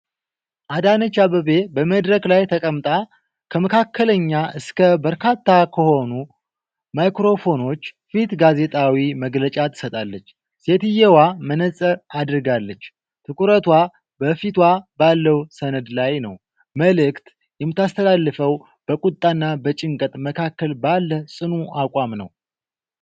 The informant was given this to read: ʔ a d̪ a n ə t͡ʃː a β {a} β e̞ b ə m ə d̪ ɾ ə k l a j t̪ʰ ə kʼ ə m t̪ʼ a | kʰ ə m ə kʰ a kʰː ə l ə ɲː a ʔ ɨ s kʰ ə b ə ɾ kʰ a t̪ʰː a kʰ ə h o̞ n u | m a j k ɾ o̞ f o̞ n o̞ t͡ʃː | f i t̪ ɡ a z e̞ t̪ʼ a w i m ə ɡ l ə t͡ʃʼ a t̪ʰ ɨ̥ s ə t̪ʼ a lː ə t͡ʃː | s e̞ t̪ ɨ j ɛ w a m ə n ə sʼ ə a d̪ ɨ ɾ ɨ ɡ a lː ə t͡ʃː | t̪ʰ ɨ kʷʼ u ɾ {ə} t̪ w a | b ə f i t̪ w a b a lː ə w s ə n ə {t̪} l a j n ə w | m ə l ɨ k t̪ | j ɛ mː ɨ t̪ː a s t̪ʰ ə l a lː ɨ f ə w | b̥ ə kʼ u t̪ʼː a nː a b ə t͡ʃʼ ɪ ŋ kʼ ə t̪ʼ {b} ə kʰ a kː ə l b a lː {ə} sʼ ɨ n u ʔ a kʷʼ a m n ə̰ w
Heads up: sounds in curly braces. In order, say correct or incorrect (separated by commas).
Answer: incorrect, correct, incorrect, incorrect, correct